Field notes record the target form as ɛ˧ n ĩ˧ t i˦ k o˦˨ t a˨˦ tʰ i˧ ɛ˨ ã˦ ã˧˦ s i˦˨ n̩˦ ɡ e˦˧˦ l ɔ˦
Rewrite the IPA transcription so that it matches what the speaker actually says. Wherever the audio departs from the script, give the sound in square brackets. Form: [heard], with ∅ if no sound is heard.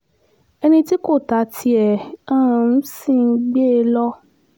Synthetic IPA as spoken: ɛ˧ n ĩ˧ t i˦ k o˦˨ t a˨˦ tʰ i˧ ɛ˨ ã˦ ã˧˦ s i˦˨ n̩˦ [ɡ͡b] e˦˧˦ l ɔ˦